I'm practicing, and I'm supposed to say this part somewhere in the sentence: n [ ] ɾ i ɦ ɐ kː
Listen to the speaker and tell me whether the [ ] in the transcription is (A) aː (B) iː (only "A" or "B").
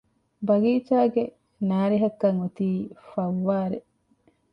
A